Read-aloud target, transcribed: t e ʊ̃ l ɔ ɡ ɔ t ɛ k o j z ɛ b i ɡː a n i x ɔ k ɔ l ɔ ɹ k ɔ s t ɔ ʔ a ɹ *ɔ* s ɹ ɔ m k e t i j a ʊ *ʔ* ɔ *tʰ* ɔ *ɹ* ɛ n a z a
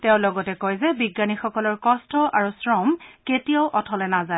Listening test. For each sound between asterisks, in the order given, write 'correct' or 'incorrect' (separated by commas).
incorrect, correct, correct, incorrect